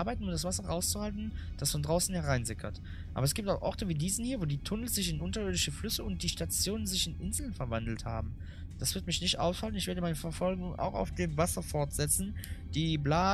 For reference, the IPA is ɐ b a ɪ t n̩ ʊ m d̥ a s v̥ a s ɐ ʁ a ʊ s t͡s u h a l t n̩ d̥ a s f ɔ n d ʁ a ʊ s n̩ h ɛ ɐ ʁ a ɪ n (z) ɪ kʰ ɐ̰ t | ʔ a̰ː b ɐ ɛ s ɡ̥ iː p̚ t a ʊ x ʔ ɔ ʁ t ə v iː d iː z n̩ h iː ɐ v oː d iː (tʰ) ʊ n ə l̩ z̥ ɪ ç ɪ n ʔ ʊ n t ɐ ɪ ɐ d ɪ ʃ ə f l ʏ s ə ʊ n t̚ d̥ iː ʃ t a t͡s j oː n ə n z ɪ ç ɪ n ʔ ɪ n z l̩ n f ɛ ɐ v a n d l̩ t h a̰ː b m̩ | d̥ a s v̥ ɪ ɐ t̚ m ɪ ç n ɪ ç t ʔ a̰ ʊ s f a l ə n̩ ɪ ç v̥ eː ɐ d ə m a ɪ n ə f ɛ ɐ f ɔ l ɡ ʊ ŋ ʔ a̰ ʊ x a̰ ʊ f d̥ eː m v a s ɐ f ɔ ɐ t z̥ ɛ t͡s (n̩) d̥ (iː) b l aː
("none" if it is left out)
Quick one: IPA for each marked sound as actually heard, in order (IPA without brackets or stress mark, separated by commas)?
z, tʰ, n̩, iː